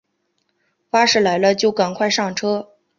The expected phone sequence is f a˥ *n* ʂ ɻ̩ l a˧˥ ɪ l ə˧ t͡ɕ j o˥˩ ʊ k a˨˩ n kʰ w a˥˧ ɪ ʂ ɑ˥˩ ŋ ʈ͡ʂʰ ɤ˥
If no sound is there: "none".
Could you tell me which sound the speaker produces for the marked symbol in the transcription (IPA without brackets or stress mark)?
none